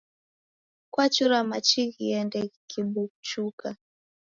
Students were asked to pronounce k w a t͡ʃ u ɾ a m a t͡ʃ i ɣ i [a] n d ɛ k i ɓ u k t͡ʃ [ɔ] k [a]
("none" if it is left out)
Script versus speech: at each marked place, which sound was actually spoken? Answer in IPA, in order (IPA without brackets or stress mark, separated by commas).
ɛ, u, a